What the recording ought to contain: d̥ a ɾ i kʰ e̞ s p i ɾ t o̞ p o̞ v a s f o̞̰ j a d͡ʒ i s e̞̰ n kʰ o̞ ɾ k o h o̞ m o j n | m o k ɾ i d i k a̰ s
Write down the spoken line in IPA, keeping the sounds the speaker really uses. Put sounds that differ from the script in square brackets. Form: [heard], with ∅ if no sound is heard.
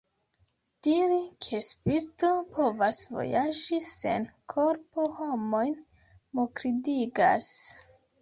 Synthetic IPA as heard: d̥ [i] ɾ i kʰ e̞ s p i ɾ t o̞ p o̞ v a s [v] o̞̰ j a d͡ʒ i s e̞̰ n kʰ o̞ ɾ [p] o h o̞ m o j n | m o k ɾ i d i [ɡ] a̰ s